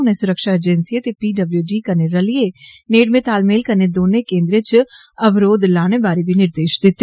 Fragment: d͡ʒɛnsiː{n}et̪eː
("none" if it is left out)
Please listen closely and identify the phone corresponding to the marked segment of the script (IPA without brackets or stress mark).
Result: none